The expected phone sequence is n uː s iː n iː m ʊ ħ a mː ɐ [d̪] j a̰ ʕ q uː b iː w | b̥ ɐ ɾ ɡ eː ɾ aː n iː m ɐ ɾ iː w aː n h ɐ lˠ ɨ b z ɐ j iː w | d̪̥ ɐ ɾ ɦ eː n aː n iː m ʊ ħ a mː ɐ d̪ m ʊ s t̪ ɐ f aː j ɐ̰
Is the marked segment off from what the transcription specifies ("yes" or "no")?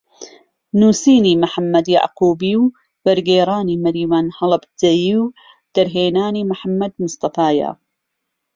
no